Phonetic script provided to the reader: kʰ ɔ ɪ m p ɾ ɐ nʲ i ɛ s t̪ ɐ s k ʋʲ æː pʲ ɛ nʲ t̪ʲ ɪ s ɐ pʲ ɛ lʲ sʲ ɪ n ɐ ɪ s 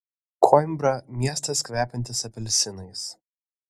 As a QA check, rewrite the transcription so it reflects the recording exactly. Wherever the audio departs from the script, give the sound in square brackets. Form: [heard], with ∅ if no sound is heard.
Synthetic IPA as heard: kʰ ɔ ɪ m [b] ɾ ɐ [mʲ] i ɛ s t̪ ɐ s k ʋʲ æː pʲ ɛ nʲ t̪ʲ ɪ s ɐ pʲ ɛ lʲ sʲ ɪ n ɐ ɪ s